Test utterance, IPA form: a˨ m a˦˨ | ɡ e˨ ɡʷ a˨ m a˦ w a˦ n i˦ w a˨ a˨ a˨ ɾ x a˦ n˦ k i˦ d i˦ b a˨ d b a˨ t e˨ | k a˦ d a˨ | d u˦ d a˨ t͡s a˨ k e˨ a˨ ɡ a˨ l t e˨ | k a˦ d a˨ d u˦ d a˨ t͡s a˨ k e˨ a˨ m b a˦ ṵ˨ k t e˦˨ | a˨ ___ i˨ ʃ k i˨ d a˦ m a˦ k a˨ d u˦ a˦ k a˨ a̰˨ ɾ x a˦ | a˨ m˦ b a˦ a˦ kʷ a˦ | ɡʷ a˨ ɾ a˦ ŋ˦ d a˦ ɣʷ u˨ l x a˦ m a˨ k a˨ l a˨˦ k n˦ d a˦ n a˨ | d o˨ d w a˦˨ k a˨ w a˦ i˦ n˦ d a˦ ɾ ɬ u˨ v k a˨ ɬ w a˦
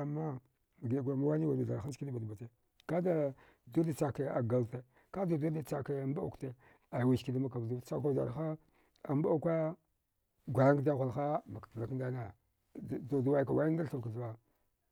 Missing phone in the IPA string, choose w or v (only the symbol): w